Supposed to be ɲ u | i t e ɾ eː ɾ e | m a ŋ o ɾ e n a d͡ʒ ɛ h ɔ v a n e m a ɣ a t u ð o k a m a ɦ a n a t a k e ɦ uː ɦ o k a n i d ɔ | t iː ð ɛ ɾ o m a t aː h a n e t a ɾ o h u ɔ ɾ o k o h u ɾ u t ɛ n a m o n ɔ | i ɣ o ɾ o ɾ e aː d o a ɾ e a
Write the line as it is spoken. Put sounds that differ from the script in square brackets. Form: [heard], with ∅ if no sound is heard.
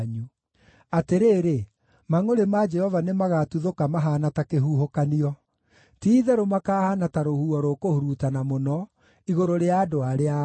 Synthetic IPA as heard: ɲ u | [a] t e ɾ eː ɾ e | m a ŋ o ɾ e [m] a d͡ʒ ɛ h ɔ v a n e m a ɣ a t u ð o k a m a ɦ a n a t a k e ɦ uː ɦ o k a n i [∅] ɔ | t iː ð ɛ ɾ o m a [k] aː h a n [a] t a ɾ o h u ɔ ɾ o k o h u ɾ u t [a] n a m o n ɔ | i ɣ o ɾ o ɾ e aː d o a ɾ e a